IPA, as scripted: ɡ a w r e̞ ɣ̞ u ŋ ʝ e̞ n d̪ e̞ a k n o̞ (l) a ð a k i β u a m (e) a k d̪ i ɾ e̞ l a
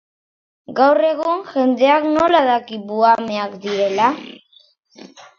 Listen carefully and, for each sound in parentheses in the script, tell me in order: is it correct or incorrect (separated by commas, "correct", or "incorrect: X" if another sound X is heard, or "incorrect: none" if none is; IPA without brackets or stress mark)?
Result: correct, correct